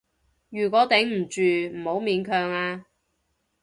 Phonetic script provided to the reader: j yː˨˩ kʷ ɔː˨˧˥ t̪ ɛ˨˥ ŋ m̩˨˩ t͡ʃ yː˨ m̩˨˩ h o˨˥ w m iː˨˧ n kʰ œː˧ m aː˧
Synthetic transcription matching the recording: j yː˨˩ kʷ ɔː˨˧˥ t̪ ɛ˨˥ ŋ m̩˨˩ t͡ʃ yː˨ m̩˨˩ h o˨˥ w m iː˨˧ n kʰ œː˧ ŋ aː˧